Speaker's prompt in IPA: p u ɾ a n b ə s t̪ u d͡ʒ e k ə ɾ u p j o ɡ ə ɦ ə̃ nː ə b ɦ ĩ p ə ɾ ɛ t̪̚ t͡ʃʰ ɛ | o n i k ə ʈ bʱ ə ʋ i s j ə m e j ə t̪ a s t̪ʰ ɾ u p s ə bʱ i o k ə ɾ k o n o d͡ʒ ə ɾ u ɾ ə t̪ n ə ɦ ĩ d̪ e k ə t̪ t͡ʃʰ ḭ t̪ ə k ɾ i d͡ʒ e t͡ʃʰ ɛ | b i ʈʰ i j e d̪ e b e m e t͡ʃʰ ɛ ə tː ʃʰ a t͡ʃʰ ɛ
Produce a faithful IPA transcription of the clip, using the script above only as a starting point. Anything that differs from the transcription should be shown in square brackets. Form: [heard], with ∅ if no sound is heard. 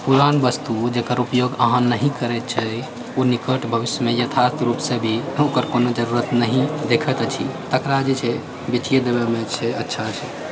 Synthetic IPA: p u ɾ a n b ə s t̪ u d͡ʒ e k ə ɾ u p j o ɡ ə ɦ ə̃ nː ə [∅] ɦ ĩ [k] ə ɾ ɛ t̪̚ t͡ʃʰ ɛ | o n i k ə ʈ bʱ ə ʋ i s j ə m e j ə [t̪ʰ] a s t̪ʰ ɾ u p s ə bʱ i o k ə ɾ k o n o d͡ʒ ə ɾ u ɾ ə t̪ n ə ɦ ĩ d̪ e [kʰ] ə t̪ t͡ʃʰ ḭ t̪ ə k ɾ [a] d͡ʒ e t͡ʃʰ ɛ | b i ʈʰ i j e d̪ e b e m e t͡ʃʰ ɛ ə tː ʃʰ a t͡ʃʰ ɛ